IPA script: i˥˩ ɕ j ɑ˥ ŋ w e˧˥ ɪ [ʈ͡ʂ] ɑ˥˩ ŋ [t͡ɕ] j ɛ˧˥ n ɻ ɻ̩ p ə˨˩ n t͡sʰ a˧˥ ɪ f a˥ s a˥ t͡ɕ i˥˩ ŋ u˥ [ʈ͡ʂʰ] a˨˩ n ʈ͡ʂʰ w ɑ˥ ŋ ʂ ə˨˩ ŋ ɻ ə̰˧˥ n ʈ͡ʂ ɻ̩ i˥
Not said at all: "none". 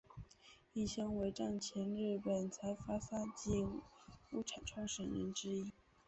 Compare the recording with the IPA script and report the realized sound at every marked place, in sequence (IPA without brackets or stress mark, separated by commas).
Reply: ʈ͡ʂ, t͡ɕʰ, ʈ͡ʂʰ